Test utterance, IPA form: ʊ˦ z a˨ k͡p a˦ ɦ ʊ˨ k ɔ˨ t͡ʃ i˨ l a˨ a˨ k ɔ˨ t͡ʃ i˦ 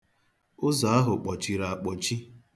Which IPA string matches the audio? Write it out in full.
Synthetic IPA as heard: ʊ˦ z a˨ a˦ ɦ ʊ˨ k͡p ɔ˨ t͡ʃ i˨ ɾ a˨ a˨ k͡p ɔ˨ t͡ʃ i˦

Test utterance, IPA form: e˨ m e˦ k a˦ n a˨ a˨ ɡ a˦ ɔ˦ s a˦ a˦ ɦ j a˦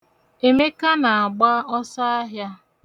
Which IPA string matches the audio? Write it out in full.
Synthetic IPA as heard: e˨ m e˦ k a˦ n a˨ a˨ ɡ͡b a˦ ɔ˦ s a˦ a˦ ɦ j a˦

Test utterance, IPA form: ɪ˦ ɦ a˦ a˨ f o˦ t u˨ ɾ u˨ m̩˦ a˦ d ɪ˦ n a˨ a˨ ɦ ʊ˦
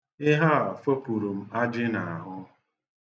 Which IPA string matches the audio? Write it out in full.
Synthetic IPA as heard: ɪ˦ ɦ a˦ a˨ f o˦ p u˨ ɾ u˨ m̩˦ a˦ d͡ʒ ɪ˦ n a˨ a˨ ɦ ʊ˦

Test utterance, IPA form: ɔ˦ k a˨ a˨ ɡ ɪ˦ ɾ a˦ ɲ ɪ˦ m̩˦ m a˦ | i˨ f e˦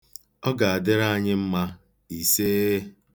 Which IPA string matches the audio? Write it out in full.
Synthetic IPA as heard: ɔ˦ ɡ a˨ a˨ d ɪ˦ ɾ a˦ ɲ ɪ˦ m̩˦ m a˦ | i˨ s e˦

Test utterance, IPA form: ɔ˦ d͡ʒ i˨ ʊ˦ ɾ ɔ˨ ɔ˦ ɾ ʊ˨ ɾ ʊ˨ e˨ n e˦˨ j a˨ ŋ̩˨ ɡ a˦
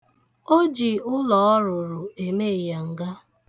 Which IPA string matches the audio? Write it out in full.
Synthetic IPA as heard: o˦ d͡ʒ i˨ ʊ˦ l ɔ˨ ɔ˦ ɾ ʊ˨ ɾ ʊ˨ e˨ m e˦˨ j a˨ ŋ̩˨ ɡ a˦

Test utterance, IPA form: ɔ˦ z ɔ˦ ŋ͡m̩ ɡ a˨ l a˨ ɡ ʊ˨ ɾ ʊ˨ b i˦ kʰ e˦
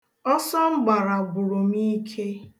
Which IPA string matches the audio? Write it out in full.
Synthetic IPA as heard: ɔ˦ s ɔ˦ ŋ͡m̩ ɡ͡b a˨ ɾ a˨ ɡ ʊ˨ ɾ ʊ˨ m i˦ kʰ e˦

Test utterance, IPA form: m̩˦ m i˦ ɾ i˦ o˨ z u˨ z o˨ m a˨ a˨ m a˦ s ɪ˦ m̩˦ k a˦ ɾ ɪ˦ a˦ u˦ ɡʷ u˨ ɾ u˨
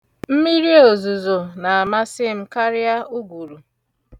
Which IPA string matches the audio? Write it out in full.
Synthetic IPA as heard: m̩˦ m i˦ ɾ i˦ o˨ z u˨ z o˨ n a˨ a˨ m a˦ s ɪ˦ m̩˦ k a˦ ɾ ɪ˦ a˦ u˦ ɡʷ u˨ ɾ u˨

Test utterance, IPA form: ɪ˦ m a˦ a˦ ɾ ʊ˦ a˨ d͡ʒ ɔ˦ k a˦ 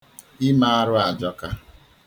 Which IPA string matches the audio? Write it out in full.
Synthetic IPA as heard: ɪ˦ m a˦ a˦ ɾ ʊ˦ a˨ d͡ʒ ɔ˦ k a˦

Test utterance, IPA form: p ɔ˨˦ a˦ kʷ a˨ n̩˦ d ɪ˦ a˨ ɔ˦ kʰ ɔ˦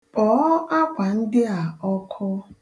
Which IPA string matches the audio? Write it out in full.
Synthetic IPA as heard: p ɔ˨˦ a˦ kʷ a˨ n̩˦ d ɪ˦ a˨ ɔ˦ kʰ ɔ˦

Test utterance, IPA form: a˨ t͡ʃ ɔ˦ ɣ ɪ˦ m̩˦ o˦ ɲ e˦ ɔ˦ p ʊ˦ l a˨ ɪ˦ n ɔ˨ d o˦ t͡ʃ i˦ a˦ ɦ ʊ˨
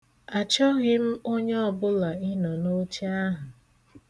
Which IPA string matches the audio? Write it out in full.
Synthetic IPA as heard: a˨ t͡ʃ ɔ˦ ɣ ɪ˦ m̩˦ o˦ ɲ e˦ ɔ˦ b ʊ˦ l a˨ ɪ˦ n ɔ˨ n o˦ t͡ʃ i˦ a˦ ɦ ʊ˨

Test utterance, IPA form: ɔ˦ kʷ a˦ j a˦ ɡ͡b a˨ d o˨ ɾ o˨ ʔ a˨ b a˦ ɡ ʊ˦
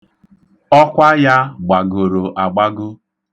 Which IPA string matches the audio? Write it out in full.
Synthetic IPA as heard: ɔ˦ kʷ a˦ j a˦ ɡ͡b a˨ ɡ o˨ ɾ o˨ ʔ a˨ ɡ͡b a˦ ɡ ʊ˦

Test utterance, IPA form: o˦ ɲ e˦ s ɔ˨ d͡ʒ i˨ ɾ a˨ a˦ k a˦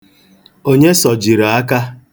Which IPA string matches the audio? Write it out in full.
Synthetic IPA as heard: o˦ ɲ e˦ s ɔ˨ d͡ʒ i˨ ɾ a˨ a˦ k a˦

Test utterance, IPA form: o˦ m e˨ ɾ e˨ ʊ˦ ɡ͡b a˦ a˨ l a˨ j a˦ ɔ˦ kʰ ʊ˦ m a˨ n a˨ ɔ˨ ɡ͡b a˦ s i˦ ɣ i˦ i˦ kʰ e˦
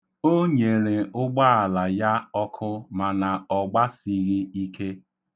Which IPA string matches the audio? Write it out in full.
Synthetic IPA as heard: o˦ ɲ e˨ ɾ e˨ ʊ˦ ɡ͡b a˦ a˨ l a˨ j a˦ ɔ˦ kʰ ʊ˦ m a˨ n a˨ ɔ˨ ɡ͡b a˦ s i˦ ɣ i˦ i˦ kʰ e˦

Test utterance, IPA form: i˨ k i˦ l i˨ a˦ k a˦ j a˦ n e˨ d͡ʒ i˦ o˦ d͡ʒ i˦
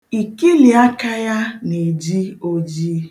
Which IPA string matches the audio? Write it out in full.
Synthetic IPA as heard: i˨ k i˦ l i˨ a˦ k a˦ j a˦ n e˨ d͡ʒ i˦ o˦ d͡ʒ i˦

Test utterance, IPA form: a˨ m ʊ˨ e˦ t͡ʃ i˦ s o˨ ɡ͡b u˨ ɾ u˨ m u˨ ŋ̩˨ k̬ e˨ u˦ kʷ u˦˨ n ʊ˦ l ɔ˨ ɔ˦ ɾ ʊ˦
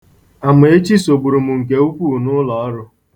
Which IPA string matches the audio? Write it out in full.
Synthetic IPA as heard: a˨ m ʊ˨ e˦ t͡ʃ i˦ s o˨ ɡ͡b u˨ ɾ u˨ m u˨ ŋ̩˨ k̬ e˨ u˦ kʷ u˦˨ n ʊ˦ l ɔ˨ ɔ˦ ɾ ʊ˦

